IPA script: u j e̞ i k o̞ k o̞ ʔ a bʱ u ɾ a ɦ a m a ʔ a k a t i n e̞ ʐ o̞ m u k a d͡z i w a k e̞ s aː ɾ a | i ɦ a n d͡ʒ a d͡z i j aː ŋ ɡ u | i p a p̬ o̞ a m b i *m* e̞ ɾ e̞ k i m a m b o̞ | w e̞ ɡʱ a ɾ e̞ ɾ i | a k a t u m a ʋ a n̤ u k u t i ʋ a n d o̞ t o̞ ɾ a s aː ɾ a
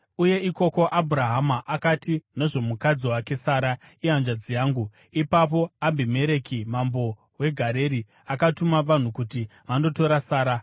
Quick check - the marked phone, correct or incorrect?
correct